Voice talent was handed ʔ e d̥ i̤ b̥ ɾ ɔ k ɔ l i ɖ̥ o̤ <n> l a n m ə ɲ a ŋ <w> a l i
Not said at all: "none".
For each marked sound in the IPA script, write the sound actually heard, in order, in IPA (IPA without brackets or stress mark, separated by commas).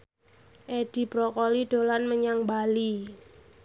none, b